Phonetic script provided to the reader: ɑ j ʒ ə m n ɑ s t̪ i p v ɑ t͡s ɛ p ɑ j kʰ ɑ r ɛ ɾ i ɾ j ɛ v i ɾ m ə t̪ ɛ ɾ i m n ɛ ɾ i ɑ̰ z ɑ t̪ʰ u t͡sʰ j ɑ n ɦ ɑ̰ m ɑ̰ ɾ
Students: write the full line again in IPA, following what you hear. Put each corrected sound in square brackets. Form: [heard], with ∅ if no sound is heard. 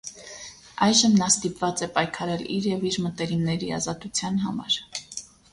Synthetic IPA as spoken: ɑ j ʒ ə m n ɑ s t̪ i p v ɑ t͡s ɛ p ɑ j kʰ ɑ [ɾ] ɛ [l] i ɾ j ɛ v i ɾ m ə t̪ ɛ ɾ i m n ɛ ɾ i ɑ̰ z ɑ [t̪] u t͡sʰ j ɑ n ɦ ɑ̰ m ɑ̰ ɾ